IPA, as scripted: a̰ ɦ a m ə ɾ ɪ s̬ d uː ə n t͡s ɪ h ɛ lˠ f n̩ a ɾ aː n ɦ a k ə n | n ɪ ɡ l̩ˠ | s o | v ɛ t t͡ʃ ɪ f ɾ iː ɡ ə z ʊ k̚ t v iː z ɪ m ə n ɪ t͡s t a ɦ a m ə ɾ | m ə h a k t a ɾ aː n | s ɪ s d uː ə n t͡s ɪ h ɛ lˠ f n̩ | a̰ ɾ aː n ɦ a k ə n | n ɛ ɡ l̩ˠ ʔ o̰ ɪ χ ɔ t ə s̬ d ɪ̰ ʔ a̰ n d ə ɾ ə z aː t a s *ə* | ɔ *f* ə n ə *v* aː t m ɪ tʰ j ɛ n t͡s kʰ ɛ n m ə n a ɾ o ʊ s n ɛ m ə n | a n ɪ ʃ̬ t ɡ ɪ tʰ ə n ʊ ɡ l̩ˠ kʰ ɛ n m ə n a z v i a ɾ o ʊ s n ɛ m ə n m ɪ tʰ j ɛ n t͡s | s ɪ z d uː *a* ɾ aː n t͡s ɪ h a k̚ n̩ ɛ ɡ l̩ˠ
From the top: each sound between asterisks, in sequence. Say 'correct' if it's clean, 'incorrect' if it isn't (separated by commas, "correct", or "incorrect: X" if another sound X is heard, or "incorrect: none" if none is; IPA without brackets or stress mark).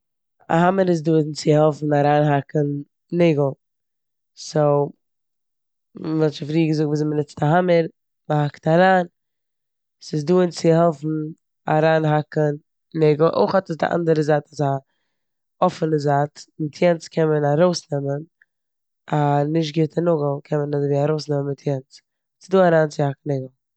incorrect: a, correct, incorrect: z, correct